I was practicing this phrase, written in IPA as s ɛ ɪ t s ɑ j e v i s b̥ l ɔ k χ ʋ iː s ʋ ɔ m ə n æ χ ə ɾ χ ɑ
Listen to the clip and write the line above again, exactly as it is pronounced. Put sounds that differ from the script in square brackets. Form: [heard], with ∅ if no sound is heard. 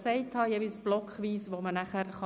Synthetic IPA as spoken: s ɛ ɪ t [h] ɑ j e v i s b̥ l ɔ k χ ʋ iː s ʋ [o] m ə n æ χ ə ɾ χ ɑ